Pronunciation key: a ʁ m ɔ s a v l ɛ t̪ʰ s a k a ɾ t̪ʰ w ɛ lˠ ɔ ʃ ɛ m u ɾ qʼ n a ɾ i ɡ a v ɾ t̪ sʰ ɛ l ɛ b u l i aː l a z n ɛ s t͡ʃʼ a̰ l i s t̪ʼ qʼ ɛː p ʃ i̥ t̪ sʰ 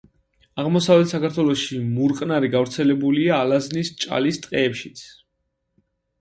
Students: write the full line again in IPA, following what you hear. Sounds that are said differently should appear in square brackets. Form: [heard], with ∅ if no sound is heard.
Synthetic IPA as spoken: a ʁ m ɔ s a v l ɛ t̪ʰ s a k a ɾ t̪ʰ w ɛ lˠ ɔ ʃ [i] m u ɾ qʼ n a ɾ i ɡ a v ɾ t̪ sʰ ɛ l ɛ b u l i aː l a z n [i] s t͡ʃʼ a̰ l i s t̪ʼ qʼ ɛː p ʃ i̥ t̪ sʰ

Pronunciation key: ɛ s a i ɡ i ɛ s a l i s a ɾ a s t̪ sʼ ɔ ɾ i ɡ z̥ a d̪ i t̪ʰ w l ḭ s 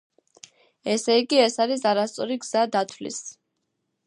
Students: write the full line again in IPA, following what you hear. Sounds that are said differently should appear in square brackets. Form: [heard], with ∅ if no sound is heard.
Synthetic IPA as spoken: ɛ s [ɛ] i ɡ i ɛ s a [ɾ] i s a ɾ a s t̪ sʼ ɔ ɾ i ɡ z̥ a d̪ [a] t̪ʰ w l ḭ s

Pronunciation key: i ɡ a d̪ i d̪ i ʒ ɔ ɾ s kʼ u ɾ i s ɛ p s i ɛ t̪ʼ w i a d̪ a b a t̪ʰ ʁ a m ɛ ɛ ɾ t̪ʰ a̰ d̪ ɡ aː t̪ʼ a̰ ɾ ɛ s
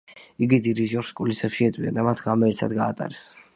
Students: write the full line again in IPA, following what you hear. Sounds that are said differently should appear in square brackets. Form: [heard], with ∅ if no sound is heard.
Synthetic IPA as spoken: i ɡ [i] d̪ i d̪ i ʒ ɔ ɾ s kʼ u [l] i s ɛ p [ʃ] i ɛ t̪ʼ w i a d̪ a [m] a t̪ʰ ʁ a m ɛ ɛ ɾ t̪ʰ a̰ d̪ ɡ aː t̪ʼ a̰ ɾ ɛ s

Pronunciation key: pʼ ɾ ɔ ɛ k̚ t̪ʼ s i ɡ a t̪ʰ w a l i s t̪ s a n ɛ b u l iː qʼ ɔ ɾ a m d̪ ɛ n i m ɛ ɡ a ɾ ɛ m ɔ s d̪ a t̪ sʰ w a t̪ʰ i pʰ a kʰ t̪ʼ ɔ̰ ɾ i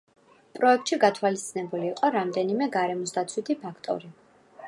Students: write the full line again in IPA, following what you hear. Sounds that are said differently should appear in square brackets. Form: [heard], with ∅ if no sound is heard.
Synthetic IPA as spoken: pʼ ɾ ɔ ɛ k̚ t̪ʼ [ʃ] i ɡ a t̪ʰ w a l i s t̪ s [i] n ɛ b u l iː qʼ ɔ ɾ a m d̪ ɛ n i m ɛ ɡ a ɾ ɛ m ɔ s d̪ a t̪ sʰ w [i] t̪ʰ i pʰ a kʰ t̪ʼ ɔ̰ ɾ i

